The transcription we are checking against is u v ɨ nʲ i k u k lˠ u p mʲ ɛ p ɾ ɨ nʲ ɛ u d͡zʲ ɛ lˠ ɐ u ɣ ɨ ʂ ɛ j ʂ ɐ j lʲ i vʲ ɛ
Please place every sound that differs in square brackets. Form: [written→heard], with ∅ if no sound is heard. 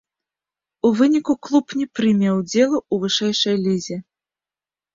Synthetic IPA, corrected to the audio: u v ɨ nʲ i k u k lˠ u p [mʲ→nʲ] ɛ p ɾ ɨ [nʲ→mʲ] ɛ [u→w] d͡zʲ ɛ lˠ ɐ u [ɣ→v] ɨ ʂ ɛ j ʂ ɐ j lʲ i [vʲ→zʲ] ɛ